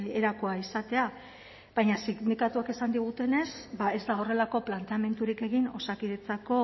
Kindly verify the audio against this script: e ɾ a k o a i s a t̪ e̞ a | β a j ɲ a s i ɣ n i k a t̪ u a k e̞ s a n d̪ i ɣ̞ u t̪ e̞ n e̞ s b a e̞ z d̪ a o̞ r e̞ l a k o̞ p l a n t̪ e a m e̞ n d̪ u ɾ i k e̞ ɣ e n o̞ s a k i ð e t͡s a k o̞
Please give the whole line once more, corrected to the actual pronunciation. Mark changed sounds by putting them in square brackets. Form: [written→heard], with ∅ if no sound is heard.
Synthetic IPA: e ɾ a k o a i s a t̪ e̞ a | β a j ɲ a s i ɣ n i k a t̪ u a k e̞ s a n d̪ i ɣ̞ u t̪ e̞ n e̞ s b a e̞ z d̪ a o̞ r e̞ l a k o̞ p l a n t̪ e a m e̞ n [d̪→t̪] u ɾ i k e̞ ɣ [e→i] n o̞ s a k i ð e t͡s a k o̞